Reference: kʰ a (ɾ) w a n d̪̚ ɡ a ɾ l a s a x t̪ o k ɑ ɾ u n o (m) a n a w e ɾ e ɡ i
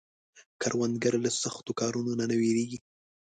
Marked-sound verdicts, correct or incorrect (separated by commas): correct, incorrect